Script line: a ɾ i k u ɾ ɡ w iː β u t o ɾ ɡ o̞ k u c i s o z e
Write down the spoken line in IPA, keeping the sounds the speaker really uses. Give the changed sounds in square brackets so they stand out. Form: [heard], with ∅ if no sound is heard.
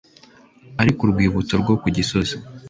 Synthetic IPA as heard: a ɾ i k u ɾ ɡ w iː β u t o ɾ ɡ o̞ k u [ɟ] i s o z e